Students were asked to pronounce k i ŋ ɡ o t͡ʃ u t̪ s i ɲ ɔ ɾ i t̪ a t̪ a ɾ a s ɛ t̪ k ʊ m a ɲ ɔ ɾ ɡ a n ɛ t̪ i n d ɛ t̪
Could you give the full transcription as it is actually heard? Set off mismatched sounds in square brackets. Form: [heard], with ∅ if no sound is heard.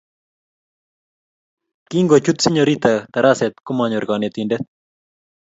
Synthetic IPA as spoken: k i ŋ ɡ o t͡ʃ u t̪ s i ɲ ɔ ɾ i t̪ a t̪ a ɾ a s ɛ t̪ k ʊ m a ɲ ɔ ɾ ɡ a n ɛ t̪ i n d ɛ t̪